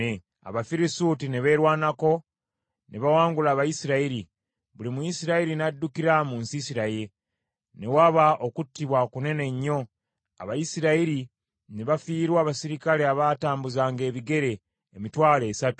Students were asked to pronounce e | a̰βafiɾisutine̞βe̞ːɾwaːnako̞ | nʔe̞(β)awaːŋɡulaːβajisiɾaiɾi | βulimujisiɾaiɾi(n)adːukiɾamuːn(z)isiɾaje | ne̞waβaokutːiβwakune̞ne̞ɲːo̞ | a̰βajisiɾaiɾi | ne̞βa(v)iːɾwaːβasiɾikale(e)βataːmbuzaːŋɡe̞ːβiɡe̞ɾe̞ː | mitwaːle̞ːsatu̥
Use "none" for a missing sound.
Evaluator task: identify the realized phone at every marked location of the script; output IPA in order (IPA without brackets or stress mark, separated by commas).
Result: β, n, s, f, a